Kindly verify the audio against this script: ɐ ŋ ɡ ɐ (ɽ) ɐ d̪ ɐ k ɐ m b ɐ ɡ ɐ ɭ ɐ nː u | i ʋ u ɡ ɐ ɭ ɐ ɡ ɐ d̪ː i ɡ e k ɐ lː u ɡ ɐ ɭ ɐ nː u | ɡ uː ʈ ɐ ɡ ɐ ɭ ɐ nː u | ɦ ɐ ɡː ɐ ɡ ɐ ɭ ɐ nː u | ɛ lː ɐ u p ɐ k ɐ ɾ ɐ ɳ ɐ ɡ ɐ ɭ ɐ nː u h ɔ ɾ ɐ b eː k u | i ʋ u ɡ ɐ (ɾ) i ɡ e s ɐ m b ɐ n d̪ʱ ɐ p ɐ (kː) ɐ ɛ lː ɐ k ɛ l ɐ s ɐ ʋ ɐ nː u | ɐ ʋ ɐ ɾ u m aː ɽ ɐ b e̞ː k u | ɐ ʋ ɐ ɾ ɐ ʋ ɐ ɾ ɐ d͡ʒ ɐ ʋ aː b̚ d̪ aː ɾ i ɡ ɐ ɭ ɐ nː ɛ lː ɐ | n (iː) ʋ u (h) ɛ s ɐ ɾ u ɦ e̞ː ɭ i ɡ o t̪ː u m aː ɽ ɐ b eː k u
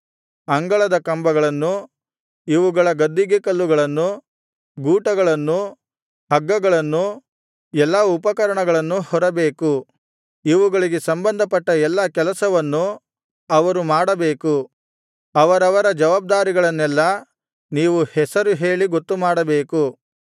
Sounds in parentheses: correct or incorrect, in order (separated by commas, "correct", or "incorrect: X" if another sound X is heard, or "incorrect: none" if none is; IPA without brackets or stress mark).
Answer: incorrect: ɭ, incorrect: ɭ, incorrect: ʈː, correct, correct